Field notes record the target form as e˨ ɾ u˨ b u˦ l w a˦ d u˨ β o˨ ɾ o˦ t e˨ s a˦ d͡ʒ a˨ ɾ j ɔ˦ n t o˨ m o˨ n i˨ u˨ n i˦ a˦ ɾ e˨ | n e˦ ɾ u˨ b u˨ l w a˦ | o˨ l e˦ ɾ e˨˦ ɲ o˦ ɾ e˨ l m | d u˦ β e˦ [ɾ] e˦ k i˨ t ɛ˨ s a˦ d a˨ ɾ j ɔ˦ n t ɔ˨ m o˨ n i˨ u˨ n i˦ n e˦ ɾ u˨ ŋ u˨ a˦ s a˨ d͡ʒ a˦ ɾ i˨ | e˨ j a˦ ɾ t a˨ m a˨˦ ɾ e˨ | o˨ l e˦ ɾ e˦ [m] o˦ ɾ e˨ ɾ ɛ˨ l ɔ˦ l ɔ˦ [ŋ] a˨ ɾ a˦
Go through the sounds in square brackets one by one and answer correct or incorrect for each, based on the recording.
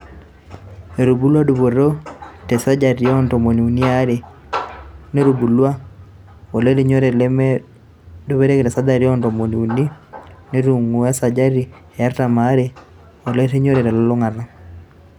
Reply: correct, incorrect: ɲ, correct

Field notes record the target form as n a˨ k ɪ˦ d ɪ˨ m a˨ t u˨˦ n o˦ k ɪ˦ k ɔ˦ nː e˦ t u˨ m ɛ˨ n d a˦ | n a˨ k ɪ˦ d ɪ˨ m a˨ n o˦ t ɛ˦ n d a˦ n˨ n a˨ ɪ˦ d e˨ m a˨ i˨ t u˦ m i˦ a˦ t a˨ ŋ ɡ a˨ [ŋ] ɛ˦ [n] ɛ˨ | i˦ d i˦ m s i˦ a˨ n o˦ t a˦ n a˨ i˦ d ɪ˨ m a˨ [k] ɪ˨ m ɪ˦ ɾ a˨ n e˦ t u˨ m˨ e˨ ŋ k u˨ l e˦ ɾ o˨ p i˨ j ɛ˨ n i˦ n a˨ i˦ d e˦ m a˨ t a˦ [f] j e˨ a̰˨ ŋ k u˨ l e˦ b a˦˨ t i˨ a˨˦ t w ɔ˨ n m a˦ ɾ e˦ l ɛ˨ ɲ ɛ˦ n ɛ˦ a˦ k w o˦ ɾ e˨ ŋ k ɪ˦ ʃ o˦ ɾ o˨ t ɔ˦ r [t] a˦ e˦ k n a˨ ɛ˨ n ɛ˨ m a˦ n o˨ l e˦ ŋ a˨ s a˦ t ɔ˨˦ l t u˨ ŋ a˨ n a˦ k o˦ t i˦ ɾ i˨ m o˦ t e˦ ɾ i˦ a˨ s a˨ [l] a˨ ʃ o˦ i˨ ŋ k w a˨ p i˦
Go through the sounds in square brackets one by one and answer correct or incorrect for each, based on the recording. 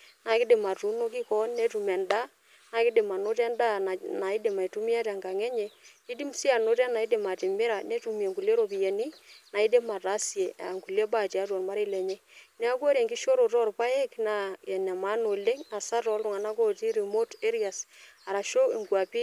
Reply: correct, incorrect: ɲ, incorrect: t, incorrect: s, incorrect: p, incorrect: ɾ

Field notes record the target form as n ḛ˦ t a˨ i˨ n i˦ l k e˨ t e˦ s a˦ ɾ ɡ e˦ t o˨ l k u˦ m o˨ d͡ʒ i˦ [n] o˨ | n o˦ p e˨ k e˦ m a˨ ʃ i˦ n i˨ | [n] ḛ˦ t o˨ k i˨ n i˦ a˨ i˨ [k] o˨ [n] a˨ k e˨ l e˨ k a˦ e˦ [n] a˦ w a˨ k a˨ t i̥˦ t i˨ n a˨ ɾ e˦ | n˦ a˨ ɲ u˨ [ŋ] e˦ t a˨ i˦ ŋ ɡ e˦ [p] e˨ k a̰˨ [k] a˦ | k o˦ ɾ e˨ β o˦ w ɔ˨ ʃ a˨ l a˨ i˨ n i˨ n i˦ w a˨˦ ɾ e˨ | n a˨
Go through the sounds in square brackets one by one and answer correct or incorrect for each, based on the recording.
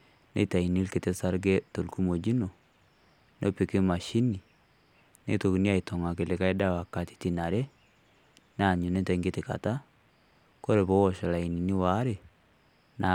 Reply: correct, correct, incorrect: t, incorrect: ŋ, incorrect: d, incorrect: n, incorrect: t, incorrect: t

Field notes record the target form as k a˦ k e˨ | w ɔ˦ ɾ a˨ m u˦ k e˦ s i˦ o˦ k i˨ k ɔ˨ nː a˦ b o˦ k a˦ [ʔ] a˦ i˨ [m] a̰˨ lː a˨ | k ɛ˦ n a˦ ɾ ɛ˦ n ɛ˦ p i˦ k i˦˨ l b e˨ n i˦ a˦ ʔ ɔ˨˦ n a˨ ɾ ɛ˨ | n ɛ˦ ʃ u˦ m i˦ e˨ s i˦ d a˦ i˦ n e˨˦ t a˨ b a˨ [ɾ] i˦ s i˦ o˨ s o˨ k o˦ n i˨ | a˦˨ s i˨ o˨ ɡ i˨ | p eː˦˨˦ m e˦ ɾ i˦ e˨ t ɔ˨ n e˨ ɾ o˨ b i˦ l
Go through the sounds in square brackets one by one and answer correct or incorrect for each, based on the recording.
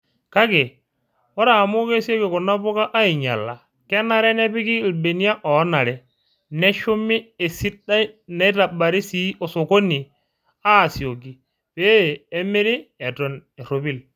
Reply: correct, incorrect: ɲ, correct

